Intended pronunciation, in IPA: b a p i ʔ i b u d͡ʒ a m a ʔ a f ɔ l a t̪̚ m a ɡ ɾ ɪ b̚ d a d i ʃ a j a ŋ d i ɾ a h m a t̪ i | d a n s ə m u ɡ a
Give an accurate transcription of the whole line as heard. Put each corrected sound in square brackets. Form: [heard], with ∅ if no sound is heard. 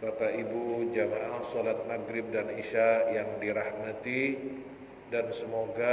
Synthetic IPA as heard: b a p [a] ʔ i b u d͡ʒ a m a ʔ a [s] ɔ l a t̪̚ m a ɡ ɾ ɪ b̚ d a [n] i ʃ a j a ŋ d i ɾ a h m a t̪ i | d a n s ə m [o] ɡ a